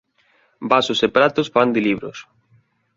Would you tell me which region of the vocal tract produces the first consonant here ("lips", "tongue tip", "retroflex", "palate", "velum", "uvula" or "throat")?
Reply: lips